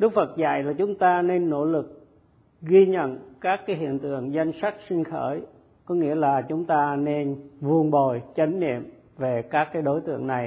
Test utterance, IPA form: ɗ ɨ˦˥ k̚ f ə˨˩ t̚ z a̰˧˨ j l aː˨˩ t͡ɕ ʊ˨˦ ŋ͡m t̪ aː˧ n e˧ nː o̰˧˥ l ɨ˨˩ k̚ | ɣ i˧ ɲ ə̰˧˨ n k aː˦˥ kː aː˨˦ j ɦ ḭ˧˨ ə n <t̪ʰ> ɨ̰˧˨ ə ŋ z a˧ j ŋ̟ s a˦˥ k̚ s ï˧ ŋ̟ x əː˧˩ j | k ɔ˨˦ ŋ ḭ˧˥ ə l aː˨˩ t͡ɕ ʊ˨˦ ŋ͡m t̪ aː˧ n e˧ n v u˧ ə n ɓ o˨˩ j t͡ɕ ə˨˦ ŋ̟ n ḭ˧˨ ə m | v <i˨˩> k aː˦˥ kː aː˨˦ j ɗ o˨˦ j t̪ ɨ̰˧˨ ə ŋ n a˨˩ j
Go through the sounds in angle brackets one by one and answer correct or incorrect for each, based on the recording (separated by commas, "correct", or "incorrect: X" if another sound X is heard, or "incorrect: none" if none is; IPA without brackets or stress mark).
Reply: incorrect: t̪, incorrect: e˨˩